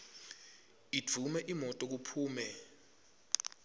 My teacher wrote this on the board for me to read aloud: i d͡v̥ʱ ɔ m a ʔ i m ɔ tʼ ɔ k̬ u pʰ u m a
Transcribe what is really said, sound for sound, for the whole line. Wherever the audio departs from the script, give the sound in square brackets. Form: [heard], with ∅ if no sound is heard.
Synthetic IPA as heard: i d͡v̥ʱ [u] m [ɛ] ʔ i m ɔ tʼ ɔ k̬ u pʰ [uː] m [ɛ]